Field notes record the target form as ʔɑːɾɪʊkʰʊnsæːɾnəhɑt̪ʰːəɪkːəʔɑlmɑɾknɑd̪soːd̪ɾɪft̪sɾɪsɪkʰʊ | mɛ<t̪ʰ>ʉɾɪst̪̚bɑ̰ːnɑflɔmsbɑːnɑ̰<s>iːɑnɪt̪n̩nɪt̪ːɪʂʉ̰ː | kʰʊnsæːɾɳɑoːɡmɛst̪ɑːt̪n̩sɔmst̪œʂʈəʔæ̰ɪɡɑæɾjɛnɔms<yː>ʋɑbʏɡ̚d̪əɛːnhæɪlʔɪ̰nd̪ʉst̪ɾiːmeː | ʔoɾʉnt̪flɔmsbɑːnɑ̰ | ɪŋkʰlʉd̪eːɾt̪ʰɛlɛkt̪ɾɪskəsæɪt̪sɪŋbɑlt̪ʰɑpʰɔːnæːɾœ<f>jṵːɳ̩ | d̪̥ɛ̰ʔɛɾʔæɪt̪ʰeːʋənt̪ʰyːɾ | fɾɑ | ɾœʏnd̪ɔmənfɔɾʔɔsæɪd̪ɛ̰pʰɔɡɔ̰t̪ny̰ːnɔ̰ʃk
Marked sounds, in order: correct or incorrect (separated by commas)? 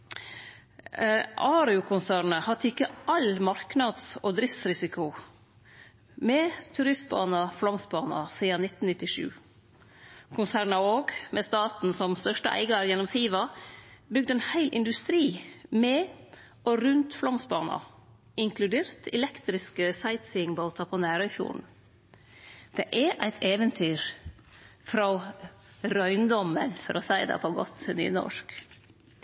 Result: correct, correct, incorrect, correct